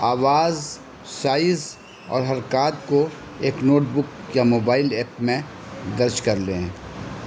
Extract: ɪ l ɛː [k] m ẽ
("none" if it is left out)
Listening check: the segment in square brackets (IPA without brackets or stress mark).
p